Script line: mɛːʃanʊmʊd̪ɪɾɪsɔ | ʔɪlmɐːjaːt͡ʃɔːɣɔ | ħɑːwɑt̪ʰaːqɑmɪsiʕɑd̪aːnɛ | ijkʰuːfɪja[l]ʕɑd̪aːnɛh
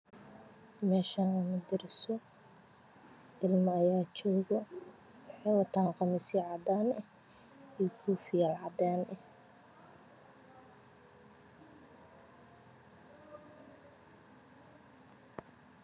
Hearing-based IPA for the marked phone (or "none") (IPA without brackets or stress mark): l